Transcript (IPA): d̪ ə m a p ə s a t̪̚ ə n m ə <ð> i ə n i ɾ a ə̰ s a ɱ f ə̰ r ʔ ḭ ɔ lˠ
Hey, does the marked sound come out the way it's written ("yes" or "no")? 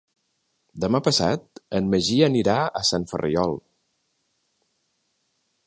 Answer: no